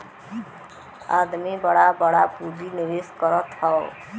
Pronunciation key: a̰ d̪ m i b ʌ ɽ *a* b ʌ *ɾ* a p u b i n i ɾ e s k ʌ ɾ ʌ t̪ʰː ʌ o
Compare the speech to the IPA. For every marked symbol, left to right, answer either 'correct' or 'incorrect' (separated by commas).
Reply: correct, incorrect